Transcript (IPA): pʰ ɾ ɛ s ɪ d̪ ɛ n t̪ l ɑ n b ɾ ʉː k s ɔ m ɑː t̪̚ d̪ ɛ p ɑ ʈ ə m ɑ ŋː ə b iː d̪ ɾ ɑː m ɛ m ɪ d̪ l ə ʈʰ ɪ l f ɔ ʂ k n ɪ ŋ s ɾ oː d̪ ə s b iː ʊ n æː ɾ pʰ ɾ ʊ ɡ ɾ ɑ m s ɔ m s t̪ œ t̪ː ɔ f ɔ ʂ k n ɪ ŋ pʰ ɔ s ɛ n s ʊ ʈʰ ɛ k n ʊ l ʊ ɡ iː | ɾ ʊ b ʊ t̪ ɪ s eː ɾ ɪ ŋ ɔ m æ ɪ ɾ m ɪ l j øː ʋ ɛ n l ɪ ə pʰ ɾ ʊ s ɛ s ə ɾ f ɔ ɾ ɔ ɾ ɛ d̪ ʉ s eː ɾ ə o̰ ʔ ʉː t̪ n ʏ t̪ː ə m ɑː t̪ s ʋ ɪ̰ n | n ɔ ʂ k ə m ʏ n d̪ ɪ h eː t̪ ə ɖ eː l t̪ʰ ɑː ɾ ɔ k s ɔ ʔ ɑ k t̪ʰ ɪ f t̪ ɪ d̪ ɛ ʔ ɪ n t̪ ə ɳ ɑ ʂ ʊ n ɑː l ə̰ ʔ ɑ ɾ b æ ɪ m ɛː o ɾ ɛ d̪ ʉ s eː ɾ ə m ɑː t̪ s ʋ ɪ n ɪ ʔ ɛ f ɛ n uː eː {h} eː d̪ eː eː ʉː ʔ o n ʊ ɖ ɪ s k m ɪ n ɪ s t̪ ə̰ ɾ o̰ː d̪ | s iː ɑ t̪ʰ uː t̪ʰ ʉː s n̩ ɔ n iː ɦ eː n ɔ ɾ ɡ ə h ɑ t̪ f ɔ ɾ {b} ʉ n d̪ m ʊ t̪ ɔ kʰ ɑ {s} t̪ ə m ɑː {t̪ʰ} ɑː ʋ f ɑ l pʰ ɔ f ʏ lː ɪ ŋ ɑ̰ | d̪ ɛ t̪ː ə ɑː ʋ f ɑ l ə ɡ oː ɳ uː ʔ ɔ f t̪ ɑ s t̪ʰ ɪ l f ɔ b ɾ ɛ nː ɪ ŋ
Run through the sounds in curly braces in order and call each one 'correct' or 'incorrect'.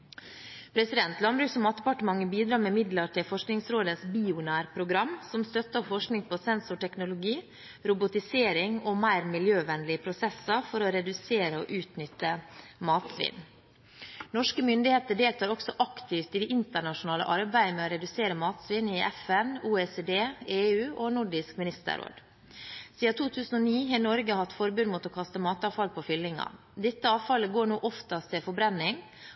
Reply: incorrect: s, correct, correct, incorrect: t̪

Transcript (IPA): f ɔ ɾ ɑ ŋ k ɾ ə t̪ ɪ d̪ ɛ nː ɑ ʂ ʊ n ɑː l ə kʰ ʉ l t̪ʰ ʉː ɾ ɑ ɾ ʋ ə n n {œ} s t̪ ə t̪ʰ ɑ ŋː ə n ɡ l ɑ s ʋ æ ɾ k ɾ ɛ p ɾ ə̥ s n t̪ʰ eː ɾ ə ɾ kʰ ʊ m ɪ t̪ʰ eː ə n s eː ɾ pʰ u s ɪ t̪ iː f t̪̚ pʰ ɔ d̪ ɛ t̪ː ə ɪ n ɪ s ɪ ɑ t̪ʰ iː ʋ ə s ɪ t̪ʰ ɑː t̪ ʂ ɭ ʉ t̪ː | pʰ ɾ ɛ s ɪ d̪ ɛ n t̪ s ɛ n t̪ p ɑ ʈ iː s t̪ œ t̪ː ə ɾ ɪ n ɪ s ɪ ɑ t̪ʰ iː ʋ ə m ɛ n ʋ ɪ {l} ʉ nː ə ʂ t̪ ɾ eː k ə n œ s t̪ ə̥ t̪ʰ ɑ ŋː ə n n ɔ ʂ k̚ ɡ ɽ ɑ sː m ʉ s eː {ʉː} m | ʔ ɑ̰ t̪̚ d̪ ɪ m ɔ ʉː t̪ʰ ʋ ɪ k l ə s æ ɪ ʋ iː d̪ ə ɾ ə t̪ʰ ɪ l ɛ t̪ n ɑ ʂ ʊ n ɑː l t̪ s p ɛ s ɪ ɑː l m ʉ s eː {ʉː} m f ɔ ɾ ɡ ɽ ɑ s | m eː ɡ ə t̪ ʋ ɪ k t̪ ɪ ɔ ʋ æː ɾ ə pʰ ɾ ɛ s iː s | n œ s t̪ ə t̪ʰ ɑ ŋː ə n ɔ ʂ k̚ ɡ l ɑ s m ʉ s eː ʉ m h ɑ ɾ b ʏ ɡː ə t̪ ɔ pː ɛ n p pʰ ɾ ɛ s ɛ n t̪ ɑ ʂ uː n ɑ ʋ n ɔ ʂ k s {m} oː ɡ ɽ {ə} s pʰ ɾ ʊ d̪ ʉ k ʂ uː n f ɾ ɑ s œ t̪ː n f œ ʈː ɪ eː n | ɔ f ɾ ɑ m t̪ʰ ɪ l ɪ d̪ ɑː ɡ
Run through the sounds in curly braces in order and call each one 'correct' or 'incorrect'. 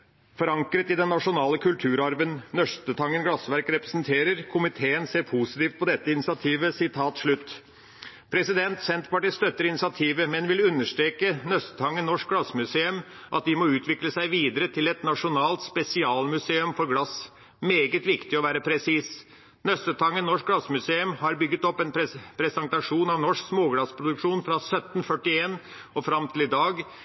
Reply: correct, correct, incorrect: ʉ, incorrect: ʉ, correct, incorrect: ɑ

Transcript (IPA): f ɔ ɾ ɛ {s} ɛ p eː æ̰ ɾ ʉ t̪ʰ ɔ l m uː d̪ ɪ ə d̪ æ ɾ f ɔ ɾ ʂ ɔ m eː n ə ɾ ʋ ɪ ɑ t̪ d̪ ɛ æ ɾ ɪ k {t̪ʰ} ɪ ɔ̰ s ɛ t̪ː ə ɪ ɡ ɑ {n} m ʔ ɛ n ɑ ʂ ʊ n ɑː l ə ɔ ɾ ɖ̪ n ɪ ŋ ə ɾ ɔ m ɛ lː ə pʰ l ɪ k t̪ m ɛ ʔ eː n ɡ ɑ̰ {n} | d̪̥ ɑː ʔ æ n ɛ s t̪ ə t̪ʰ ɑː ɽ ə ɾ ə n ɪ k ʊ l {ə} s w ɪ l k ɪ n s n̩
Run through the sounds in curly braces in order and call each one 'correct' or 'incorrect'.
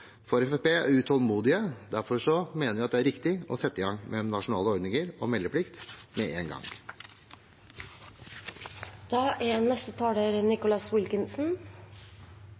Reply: incorrect: f, incorrect: t̪, incorrect: ŋ, incorrect: ŋ, incorrect: ɑ

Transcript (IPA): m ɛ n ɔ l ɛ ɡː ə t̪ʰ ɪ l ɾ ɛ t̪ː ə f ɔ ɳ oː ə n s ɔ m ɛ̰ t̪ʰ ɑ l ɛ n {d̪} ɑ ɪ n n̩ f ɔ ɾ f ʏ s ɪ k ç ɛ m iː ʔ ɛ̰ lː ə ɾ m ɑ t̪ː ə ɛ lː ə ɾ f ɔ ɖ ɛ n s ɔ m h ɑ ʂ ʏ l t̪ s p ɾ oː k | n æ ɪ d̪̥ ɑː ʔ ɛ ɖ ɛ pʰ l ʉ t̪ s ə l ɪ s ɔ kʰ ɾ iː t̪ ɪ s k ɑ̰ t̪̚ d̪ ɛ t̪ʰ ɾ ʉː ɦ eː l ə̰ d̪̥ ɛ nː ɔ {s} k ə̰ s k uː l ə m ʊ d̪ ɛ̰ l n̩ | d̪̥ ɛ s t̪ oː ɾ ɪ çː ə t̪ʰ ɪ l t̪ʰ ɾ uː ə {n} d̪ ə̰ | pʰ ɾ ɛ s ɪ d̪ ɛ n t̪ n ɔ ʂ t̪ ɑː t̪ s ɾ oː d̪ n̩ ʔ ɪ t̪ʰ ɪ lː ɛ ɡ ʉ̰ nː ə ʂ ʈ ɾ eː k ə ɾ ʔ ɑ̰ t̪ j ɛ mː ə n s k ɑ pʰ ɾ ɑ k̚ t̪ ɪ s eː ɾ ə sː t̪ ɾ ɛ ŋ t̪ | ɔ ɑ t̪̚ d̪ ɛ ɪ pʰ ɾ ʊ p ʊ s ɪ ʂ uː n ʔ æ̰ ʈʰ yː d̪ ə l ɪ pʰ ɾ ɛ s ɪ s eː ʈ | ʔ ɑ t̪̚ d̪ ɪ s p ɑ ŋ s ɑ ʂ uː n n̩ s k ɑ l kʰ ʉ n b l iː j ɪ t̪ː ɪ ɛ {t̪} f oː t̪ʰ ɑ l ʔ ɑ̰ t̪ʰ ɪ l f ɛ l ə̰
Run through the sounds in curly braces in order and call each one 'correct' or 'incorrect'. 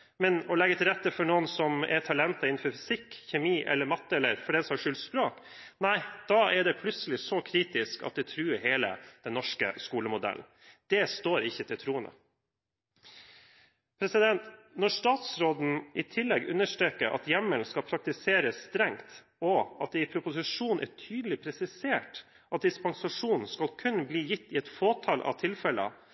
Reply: incorrect: t̪, incorrect: ʂ, correct, correct

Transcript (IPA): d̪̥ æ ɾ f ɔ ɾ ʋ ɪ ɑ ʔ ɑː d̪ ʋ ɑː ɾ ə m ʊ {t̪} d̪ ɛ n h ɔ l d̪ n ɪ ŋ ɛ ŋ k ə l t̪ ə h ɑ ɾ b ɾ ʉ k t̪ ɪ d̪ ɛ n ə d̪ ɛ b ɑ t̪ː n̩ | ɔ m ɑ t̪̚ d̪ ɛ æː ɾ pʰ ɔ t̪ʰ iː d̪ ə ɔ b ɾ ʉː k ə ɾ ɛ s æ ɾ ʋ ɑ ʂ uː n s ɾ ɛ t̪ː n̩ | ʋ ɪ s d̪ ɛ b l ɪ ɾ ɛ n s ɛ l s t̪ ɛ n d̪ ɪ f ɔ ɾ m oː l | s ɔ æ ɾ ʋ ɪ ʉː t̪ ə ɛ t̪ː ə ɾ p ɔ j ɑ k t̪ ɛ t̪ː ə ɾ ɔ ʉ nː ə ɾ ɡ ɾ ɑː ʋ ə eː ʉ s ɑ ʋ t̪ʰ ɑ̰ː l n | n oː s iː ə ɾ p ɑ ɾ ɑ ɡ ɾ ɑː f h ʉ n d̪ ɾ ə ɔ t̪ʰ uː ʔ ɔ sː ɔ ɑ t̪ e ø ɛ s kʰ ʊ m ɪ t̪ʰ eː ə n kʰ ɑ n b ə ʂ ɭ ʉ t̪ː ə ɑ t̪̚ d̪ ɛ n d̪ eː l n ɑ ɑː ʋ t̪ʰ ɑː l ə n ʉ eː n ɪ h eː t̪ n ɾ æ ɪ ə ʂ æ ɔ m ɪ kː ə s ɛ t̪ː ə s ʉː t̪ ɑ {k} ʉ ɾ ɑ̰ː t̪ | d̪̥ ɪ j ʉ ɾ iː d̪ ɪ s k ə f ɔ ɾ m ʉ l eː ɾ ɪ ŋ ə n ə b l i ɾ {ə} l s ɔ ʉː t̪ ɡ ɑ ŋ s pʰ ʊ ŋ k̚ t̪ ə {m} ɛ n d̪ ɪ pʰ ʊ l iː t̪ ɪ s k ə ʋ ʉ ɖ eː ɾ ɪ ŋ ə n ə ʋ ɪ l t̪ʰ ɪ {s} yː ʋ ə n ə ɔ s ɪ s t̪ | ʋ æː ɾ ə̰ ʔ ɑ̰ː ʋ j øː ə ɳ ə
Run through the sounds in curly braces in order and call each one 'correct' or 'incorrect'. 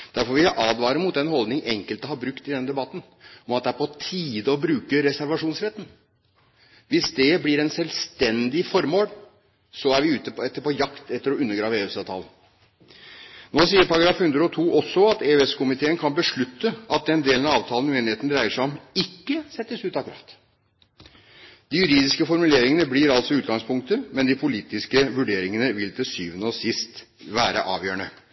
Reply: correct, correct, incorrect: ɑ, correct, correct

